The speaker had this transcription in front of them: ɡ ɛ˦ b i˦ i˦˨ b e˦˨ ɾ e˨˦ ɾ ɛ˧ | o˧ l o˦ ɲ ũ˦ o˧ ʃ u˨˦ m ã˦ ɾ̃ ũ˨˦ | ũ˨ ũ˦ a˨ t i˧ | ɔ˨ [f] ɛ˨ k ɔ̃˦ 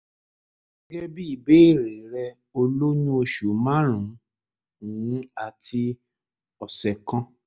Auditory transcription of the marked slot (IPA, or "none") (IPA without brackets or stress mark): s